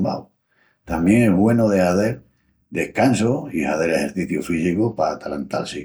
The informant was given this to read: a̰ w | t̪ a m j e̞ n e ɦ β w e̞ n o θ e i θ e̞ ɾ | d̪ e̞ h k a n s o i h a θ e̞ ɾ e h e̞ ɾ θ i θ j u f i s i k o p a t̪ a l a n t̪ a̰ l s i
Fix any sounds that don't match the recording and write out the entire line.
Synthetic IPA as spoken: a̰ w | t̪ a m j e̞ ŋ e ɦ β w e̞ n o ð e a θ e̞ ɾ | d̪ e̞ h k a n s o i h a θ e̞ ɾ e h e̞ ɾ θ i θ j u f i s i k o p a t̪ a l a n t̪ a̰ l s i

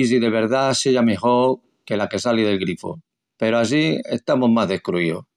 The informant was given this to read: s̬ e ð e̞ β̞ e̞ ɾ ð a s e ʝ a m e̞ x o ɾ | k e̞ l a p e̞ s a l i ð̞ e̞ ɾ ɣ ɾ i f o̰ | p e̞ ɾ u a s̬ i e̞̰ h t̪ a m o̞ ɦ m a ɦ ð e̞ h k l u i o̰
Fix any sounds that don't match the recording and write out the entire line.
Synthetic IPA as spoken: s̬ i ð e̞ β̞ e̞ ɾ ð a s e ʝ a m e̞ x o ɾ | k e̞ l a k e̞ s a l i ð̞ e̞ l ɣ ɾ i f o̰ | p e̞ ɾ o a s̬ i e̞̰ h t̪ a m o̞ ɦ m a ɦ ð e̞ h k ɾ u i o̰

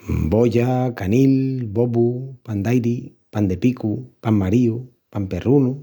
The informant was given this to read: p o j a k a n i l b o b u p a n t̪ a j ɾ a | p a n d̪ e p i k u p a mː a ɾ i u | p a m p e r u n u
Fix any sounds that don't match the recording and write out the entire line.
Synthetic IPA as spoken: b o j a k a n i l b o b u p a n d̪ a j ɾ i | p a n d̪ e p i k u p a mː a ɾ i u | p a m p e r u n u

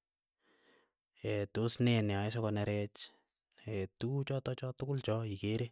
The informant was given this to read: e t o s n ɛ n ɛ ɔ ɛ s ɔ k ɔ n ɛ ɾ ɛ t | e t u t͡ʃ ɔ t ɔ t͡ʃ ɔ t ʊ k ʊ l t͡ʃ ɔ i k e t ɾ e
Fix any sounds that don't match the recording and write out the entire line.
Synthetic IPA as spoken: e t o s n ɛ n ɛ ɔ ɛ s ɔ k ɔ n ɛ ɾ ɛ t͡ʃ | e t u t͡ʃ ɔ t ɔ t͡ʃ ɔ t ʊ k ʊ l t͡ʃ ɔ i k e ɾ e

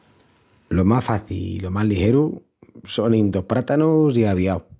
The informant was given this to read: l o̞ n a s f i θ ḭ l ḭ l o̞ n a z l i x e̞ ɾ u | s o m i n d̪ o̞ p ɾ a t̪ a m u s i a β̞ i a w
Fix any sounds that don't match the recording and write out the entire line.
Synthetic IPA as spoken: l o̞ m a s f a θ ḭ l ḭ l o̞ m a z l i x e̞ ɾ u | s o n i n d̪ o̞ p ɾ a t̪ a n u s i a β̞ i a w

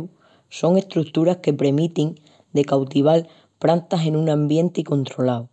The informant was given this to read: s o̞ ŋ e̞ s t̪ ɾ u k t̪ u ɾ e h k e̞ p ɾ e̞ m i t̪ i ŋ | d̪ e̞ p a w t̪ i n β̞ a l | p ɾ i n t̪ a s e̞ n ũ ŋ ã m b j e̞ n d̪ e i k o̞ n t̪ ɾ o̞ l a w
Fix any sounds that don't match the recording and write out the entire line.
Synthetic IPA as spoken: s o̞ ŋ e̞ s t̪ ɾ u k t̪ u ɾ a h k e̞ p ɾ e̞ m i t̪ i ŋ | d̪ e̞ k a w t̪ i β̞ a l | p ɾ a n t̪ a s e̞ n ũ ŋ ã m b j e̞ n t̪ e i k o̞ n t̪ ɾ o̞ l a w

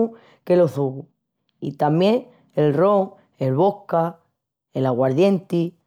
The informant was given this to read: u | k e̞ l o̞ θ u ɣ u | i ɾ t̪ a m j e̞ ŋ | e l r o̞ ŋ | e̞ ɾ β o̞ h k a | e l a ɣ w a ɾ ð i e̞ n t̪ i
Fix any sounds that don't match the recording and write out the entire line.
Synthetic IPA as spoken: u | k e̞ l o̞ θ u ɣ u | i t̪ a m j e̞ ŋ | e l r o̞ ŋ | e̞ l β o̞ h k a | e l a ɣ w a ɾ ð j e̞ n t̪ i

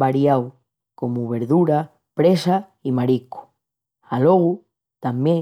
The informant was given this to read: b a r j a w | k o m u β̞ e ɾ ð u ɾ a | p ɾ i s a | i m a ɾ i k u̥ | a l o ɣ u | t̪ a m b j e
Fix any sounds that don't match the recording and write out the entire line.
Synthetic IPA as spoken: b a ɾ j a w | k o m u β̞ e ɾ ð u ɾ a | p ɾ e s a | i m a ɾ i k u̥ | a l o ɣ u | t̪ a m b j e

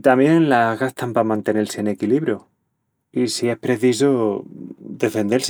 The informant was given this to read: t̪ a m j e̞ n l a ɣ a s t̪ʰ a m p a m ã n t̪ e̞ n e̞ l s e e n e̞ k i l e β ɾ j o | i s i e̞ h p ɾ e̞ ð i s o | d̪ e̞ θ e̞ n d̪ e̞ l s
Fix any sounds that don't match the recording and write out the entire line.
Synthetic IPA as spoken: t̪ a m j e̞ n l a ɣ a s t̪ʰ a m p a m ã n t̪ e̞ n e̞ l s e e n e̞ k i l i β ɾ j o | i s i e̞ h p ɾ e̞ θ i s o | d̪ e̞ f e̞ n d̪ e̞ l s

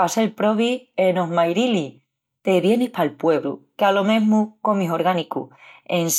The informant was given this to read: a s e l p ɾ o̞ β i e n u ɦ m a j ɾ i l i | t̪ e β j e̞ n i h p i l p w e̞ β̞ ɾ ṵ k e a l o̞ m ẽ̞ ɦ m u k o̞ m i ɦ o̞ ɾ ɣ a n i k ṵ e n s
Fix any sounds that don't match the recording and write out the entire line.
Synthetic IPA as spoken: a s e l p ɾ o̞ β i e n o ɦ m a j ɾ i l i | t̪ e β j e̞ n i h p a l p w e̞ β̞ ɾ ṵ k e a l o̞ m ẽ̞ ɦ m u k o̞ m i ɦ o̞ ɾ ɣ a n i k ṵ e n s

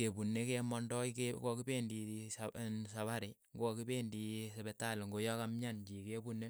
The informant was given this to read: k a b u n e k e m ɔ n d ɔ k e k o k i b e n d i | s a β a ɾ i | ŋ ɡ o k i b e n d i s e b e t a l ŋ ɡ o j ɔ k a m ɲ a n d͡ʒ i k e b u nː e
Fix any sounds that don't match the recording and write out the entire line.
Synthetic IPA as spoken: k e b u n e k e m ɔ n d ɔ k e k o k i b e n d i | s a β a ɾ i | ŋ ɡ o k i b e n d i s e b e t a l ŋ ɡ o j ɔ k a m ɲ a n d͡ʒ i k e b u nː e

